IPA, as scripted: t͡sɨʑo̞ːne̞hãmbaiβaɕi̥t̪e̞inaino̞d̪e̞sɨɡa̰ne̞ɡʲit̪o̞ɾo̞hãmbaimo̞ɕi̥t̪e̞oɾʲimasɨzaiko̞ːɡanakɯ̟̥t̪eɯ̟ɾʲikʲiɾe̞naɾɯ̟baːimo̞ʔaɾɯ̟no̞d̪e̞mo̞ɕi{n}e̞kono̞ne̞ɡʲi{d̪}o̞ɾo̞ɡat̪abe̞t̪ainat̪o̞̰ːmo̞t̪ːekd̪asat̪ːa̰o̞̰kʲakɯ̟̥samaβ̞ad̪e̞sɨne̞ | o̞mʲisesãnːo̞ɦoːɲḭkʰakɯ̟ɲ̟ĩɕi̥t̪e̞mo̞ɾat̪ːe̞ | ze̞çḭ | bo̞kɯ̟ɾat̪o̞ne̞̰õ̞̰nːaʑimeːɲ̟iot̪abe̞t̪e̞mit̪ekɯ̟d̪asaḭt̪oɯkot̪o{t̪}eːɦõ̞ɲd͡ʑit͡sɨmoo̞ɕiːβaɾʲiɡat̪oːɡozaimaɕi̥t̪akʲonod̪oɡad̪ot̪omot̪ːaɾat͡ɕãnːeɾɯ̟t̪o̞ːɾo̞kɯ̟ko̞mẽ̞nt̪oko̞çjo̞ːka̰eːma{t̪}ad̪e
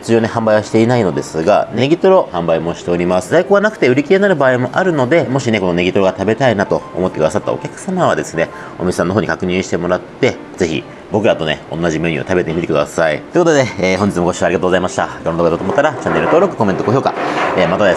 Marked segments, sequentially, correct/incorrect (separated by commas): correct, incorrect, incorrect, correct